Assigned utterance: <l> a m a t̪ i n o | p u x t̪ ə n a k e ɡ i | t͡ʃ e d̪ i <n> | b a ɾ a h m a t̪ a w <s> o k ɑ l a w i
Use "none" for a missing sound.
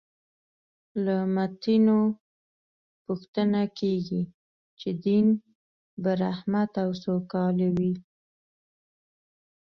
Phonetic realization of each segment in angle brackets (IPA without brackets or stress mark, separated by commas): l, n, s